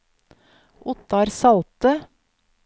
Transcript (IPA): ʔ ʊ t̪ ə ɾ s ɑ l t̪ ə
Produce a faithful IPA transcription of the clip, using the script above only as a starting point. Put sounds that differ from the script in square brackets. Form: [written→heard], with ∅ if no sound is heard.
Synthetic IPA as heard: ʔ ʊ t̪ [ə→ɑ] ɾ s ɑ l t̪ ə